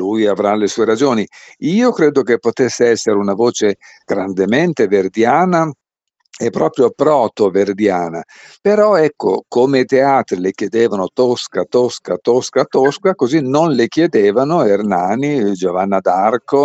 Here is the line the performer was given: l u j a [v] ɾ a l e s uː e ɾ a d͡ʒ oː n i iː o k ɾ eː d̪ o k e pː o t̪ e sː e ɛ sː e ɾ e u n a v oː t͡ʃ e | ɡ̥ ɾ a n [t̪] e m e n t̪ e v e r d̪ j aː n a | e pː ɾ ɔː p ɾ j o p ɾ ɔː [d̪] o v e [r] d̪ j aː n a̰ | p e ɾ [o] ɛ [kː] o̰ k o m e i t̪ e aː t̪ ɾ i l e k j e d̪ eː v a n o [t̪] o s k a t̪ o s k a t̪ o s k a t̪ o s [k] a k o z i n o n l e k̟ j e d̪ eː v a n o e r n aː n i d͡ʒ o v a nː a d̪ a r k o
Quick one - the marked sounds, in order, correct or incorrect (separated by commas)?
correct, incorrect, incorrect, correct, incorrect, correct, correct, correct